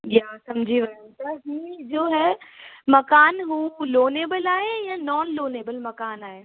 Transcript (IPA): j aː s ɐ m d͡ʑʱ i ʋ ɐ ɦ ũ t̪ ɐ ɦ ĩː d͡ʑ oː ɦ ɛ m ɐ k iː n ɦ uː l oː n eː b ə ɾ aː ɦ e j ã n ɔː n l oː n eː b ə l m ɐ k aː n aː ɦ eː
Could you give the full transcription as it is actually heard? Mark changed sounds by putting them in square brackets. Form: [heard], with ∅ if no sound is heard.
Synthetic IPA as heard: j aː s ɐ m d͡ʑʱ i ʋ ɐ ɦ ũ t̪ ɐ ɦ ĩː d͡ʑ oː ɦ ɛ m ɐ k [aː] n ɦ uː l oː n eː b ə [l] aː ɦ e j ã n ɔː n l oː n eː b ə l m ɐ k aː n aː ɦ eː

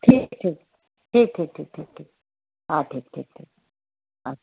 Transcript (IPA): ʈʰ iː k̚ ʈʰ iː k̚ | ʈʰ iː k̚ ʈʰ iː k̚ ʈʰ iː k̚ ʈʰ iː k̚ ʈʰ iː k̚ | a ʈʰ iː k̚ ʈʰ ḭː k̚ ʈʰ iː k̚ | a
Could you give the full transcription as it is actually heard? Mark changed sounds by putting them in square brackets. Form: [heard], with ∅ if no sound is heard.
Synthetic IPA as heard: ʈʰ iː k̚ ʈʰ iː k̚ | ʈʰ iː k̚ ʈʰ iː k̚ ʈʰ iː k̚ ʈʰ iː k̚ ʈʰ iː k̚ | a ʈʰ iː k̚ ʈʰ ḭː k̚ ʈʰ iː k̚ | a

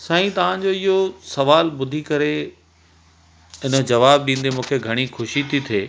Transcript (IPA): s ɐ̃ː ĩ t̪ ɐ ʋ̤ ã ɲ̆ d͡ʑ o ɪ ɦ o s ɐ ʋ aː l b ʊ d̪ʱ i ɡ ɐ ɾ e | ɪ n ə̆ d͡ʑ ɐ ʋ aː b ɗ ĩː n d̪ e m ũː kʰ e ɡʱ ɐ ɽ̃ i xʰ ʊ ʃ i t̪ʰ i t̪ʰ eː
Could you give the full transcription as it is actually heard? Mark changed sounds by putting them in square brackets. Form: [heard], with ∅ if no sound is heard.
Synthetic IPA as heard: s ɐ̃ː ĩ t̪ ɐ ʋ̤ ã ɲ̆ d͡ʑ o ɪ ɦ o s ɐ ʋ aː l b ʊ d̪ʱ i [k] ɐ ɾ e | ɪ n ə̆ d͡ʑ ɐ ʋ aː b ɗ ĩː n d̪ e m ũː kʰ e ɡʱ ɐ ɽ̃ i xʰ ʊ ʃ i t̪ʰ i t̪ʰ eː

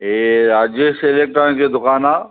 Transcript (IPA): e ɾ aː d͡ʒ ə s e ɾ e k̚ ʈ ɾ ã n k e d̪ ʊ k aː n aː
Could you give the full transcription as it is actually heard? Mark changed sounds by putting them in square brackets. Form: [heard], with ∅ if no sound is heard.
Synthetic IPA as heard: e ɾ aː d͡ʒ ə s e [l] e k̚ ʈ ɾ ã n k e d̪ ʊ k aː n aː

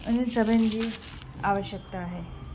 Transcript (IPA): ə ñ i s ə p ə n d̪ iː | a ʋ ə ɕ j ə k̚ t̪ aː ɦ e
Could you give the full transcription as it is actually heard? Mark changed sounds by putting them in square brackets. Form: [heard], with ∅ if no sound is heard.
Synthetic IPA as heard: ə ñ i s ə [b] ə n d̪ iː | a ʋ ə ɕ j ə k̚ t̪ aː ɦ e

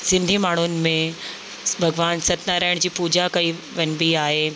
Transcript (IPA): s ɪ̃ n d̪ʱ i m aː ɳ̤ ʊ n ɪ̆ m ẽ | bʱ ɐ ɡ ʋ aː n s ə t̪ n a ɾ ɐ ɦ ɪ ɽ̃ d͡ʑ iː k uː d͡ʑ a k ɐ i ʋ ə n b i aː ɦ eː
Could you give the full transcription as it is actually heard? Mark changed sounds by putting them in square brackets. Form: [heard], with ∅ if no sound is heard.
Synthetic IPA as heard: s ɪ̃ n d̪ʱ i m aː ɳ̤ ʊ n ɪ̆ m ẽ | bʱ ɐ ɡ ʋ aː n s [ɐ] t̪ n a ɾ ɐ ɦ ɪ ɽ̃ d͡ʑ iː [p] uː d͡ʑ a k ɐ i ʋ [ɐ] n b i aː ɦ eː

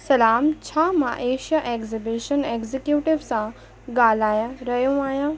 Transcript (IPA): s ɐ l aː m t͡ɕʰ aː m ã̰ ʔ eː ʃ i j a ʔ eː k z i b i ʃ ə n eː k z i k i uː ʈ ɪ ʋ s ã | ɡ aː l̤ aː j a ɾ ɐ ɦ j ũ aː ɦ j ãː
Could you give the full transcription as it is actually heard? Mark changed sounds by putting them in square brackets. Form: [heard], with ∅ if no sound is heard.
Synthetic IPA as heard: s ɐ l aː m t͡ɕʰ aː m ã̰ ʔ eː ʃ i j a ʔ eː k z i b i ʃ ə n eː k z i k [j] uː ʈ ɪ ʋ s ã | ɡ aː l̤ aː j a ɾ ɐ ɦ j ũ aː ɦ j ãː

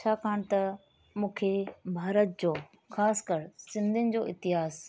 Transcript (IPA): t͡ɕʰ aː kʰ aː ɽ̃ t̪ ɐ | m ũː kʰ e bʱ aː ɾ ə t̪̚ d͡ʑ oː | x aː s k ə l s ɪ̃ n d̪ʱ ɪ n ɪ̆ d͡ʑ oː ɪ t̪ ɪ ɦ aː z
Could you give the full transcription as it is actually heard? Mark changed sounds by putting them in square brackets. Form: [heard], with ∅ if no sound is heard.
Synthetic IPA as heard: t͡ɕʰ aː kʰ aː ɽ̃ t̪ ɐ | m ũː kʰ e bʱ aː ɾ ə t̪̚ d͡ʑ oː | x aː s k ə [ɾ] s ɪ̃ n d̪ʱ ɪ n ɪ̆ d͡ʑ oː ɪ t̪ ɪ ɦ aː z

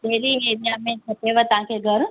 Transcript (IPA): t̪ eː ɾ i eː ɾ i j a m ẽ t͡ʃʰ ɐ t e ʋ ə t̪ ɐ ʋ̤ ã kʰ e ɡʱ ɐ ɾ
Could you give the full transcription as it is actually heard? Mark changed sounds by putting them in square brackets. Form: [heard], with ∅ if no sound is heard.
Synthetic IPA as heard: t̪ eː ɾ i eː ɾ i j a m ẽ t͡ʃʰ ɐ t e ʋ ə t̪ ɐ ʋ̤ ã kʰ e ɡʱ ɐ ɾ

